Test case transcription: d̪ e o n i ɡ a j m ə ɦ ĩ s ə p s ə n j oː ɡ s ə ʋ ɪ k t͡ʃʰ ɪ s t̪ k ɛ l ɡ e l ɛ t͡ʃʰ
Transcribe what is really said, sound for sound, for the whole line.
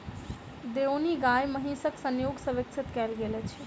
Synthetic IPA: d̪ e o n i ɡ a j m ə ɦ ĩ s ə k s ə n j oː ɡ s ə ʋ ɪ k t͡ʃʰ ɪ t̪ k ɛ l ɡ e l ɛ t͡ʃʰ